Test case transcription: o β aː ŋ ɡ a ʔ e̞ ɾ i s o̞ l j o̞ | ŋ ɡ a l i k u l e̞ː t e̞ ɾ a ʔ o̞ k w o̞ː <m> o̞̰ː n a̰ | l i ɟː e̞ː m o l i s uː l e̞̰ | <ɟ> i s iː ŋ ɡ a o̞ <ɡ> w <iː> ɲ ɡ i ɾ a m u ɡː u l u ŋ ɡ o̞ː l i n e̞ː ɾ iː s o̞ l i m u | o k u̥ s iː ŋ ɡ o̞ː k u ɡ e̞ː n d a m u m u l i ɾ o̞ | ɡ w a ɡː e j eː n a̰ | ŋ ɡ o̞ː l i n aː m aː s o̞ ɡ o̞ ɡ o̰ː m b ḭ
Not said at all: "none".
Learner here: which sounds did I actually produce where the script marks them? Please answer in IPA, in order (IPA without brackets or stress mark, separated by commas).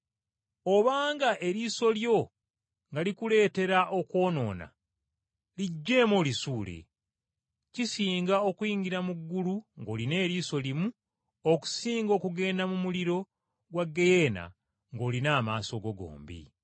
n, c, k, iː